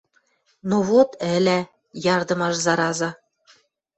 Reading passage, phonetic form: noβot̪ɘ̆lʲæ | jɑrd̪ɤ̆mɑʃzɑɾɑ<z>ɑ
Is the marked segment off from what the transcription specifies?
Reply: no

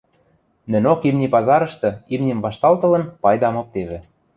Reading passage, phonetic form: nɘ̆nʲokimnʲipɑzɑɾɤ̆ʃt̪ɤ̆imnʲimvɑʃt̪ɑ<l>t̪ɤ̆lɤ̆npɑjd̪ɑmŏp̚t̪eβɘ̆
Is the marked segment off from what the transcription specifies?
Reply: no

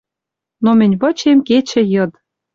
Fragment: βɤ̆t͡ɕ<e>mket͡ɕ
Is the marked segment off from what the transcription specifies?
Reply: no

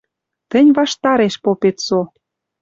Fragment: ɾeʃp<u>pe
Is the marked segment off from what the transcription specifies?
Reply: yes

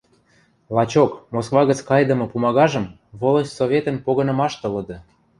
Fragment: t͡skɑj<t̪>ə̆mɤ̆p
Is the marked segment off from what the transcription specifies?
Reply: yes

